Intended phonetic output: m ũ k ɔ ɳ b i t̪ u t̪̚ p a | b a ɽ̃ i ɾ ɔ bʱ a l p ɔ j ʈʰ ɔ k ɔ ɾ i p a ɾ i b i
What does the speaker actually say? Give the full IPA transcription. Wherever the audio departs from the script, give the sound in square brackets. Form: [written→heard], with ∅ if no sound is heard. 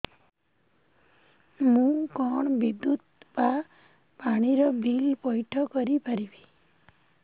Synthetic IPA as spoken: m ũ k ɔ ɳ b i [t̪→d̪] u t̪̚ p a | [b→p] a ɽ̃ i ɾ ɔ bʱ [a→i] l p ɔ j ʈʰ ɔ k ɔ ɾ i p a ɾ i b i

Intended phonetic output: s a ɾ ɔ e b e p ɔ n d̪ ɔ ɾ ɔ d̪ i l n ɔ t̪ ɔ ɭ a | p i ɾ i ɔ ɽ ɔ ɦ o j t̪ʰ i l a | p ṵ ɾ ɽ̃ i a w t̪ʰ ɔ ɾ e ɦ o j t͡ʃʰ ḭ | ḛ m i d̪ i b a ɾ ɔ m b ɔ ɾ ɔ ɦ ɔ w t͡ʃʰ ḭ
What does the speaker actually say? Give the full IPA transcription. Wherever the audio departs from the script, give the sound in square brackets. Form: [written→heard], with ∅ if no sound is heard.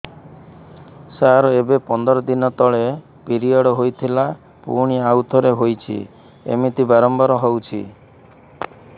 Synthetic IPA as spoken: s a ɾ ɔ e b e p ɔ n d̪ ɔ ɾ ɔ d̪ i [l→∅] n ɔ t̪ ɔ ɭ [a→e] | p i ɾ i ɔ ɽ ɔ ɦ o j t̪ʰ i l a | p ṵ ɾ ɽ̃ i a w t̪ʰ ɔ ɾ e ɦ o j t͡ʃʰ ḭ | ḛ m i [d̪→t̪] i b a ɾ ɔ m b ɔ ɾ ɔ ɦ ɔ w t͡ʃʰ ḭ

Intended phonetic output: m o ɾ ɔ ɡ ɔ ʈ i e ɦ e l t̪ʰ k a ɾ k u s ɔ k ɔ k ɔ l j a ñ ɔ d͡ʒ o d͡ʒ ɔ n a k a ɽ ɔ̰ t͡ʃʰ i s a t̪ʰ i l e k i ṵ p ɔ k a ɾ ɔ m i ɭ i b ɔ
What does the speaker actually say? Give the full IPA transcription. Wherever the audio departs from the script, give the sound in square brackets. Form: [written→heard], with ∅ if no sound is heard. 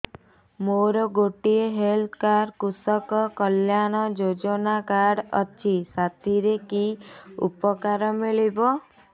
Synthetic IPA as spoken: m o ɾ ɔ ɡ [ɔ→o] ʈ i e ɦ e l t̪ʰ k a ɾ k u s ɔ k ɔ k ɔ l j a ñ ɔ d͡ʒ o d͡ʒ ɔ n a k a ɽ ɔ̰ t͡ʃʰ i s a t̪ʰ i [l→ɾ] e k i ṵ p ɔ k a ɾ ɔ m i ɭ i b ɔ

